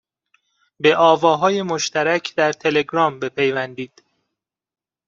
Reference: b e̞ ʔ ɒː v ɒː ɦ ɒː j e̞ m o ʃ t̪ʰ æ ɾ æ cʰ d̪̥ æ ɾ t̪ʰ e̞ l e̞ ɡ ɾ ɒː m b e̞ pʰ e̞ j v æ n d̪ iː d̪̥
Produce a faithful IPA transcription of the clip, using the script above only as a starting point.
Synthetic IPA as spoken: b e̞ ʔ ɒː v ɒː ɦ ɒː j e̞ m o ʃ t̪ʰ æ ɾ æ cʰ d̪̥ æ ɾ t̪ʰ e̞ l e̞ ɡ ɾ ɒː m b e̞ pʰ e̞ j v æ n d̪ iː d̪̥